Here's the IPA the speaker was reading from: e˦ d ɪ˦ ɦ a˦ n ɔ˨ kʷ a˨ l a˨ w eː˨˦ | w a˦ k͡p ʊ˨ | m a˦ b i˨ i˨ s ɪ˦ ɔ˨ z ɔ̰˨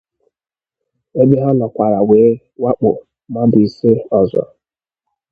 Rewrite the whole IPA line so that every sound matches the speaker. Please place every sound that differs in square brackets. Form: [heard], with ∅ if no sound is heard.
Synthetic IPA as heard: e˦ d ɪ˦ ɦ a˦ n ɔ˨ kʷ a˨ [ɾ] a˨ w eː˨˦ | w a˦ k͡p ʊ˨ | m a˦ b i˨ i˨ s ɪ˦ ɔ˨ z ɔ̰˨

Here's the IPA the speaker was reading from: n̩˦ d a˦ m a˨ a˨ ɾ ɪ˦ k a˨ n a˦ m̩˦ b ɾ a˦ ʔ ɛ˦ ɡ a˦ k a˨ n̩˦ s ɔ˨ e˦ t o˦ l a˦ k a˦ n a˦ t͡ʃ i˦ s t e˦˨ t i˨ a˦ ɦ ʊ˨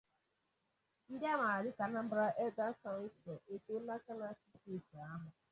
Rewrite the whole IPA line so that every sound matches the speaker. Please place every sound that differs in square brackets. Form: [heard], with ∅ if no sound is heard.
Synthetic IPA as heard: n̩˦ d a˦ m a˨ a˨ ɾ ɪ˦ k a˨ n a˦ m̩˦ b ɾ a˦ ʔ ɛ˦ ɡ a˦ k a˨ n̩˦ s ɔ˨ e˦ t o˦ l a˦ k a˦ n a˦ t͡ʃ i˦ s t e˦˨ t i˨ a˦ ɦ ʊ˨

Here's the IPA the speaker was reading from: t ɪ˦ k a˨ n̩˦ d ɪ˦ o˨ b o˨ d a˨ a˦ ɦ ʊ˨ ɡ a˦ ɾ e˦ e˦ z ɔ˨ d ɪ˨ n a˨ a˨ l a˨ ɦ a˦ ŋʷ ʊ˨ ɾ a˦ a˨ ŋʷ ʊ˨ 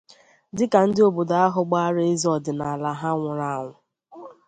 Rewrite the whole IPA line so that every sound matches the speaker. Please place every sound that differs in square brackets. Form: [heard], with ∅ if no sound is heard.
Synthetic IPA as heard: [d] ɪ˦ k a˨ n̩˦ d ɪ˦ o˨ b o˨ d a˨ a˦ ɦ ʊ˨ [ɡ͡b] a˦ ɾ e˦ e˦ z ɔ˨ d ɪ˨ n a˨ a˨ l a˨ ɦ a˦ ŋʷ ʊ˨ ɾ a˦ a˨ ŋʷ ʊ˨

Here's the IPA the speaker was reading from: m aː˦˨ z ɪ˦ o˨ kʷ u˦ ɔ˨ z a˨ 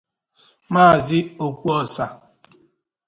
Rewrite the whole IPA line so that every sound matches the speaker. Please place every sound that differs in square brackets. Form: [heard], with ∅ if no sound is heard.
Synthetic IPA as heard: m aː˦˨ z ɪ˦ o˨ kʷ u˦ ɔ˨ [s] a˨

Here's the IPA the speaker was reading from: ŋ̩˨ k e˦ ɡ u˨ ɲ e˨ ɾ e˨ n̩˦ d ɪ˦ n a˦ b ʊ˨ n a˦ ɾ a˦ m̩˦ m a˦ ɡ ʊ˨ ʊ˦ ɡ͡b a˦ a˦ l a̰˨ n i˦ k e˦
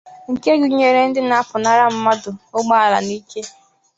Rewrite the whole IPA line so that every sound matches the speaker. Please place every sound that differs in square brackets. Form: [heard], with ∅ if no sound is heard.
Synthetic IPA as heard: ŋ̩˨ k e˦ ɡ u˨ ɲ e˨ ɾ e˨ n̩˦ d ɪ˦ n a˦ [p] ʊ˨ n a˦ ɾ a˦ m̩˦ m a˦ [d] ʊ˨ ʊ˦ ɡ͡b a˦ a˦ l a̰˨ n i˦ k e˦

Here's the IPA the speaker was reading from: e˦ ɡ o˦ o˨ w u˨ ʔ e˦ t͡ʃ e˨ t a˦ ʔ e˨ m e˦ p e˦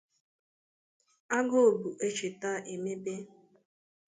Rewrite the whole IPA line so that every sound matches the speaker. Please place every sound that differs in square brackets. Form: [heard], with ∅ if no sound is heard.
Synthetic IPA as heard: [a˦] ɡ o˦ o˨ [b] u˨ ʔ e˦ t͡ʃ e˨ t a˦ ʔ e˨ m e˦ [b] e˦

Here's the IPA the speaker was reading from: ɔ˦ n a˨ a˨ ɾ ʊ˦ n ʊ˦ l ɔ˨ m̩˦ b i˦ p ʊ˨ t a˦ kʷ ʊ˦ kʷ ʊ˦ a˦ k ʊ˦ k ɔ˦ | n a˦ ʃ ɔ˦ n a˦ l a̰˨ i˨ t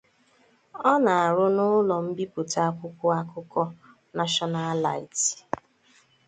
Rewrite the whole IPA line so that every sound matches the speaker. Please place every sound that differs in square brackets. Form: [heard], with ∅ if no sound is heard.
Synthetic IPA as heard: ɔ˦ n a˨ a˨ ɾ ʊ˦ n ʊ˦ l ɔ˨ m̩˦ b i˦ p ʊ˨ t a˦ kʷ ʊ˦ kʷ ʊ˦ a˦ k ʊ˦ k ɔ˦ | n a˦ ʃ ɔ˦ n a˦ l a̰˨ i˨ t

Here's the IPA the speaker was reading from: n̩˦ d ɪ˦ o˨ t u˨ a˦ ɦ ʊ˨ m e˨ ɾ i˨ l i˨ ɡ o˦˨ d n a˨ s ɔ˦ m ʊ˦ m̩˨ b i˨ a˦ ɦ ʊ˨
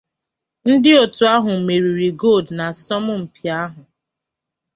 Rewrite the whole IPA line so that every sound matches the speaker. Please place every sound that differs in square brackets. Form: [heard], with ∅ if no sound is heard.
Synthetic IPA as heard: n̩˦ d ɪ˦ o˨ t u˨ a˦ ɦ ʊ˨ m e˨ ɾ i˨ [ɾ] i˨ ɡ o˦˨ d n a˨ s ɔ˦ m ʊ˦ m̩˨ [p] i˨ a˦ ɦ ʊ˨

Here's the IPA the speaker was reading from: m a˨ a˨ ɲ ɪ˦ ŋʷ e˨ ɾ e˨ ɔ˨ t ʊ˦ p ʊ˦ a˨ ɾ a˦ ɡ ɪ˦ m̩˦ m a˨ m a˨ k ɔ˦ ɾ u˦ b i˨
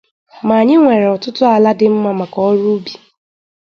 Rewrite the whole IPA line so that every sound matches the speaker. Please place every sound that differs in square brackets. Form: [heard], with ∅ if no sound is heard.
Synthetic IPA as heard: m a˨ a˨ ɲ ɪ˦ ŋʷ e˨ ɾ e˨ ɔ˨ t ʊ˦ [t] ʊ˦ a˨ [l] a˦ [d] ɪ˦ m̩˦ m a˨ m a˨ k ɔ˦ ɾ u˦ b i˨

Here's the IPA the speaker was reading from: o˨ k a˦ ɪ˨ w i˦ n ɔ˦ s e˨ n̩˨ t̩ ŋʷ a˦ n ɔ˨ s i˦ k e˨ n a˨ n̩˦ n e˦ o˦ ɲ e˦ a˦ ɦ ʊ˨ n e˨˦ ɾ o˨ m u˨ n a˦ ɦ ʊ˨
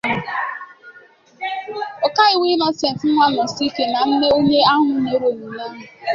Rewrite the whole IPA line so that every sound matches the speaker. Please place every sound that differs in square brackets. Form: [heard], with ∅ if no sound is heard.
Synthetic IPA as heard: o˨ k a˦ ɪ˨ w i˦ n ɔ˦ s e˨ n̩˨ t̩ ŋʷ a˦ n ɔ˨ s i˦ k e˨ n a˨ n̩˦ n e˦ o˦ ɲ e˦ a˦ ɦ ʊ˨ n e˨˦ ɾ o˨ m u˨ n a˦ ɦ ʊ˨

